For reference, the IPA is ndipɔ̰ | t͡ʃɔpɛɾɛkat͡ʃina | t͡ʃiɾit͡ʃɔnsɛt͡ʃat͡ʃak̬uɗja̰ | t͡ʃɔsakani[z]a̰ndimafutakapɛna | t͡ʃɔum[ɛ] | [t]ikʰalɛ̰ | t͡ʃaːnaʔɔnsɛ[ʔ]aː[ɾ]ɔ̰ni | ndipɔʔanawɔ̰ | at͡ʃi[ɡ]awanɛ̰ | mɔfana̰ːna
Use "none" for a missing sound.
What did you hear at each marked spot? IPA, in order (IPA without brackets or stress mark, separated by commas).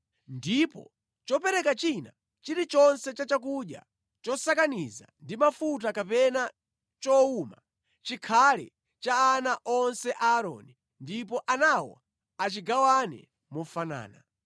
z, a, t͡ʃ, ʔ, ɾ, ɡ